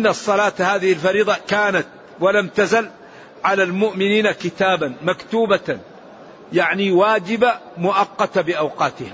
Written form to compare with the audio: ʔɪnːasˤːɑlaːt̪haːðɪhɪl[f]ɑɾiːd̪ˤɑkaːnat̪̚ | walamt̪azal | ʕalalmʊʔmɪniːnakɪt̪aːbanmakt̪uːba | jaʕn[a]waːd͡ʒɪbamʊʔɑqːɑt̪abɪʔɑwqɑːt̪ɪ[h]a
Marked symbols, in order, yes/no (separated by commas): yes, no, yes